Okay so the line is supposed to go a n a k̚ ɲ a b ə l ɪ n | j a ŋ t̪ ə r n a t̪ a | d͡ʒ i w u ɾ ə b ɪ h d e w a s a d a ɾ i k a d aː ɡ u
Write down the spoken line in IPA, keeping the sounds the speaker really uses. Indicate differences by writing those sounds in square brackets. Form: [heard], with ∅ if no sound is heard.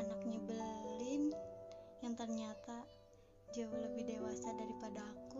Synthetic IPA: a n a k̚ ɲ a b ə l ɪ n | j a ŋ t̪ ə r [ɲ] a t̪ a | d͡ʒ [a] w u [l] ə b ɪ h d e w a s a d a ɾ i [p] a d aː [k] u